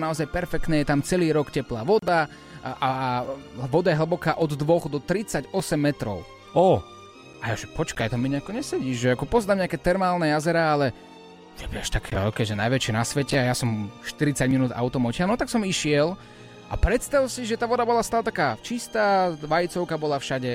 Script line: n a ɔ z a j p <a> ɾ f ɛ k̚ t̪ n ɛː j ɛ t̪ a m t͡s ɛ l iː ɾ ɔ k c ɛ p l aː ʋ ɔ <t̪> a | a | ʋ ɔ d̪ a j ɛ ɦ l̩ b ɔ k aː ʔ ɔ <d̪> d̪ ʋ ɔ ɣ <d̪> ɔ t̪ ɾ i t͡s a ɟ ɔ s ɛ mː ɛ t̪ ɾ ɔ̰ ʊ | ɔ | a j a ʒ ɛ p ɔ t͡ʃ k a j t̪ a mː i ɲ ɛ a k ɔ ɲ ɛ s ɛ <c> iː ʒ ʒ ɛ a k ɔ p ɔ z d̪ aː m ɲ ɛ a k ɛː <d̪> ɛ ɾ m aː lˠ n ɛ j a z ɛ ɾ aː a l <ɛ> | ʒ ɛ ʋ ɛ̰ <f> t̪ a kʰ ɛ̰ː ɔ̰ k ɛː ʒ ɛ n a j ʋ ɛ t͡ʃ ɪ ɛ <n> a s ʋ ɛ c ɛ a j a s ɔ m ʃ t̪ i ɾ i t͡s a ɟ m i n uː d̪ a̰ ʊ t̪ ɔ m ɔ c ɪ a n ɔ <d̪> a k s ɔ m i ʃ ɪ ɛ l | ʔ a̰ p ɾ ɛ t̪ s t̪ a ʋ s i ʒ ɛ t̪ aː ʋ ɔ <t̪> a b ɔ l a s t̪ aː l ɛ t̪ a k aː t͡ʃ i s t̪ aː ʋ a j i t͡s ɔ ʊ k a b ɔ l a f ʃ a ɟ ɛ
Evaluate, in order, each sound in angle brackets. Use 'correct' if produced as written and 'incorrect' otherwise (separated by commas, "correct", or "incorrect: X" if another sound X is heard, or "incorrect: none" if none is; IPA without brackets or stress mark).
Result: incorrect: ɛ, incorrect: d̪, correct, correct, incorrect: ɟ, incorrect: t̪, correct, incorrect: ʃ, correct, incorrect: t̪, incorrect: d̪